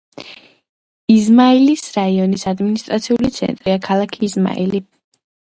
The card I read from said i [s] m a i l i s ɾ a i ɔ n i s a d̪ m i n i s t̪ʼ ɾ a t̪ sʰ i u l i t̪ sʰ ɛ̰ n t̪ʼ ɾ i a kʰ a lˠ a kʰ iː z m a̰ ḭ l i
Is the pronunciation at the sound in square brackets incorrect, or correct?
incorrect